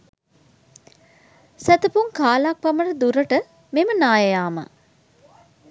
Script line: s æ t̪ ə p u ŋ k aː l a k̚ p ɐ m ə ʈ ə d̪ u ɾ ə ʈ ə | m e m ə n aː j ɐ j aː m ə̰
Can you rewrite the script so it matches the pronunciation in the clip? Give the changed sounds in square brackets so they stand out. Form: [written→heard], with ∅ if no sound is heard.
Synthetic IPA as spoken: s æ t̪ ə p u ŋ k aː l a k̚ p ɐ m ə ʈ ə d̪ u ɾ ə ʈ ə | m e m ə n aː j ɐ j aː m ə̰